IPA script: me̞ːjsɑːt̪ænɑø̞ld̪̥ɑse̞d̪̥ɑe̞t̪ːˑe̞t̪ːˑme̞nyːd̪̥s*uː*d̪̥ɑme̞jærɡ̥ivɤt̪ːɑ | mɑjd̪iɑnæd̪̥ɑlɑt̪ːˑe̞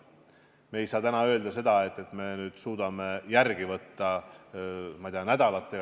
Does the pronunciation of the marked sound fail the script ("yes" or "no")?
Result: no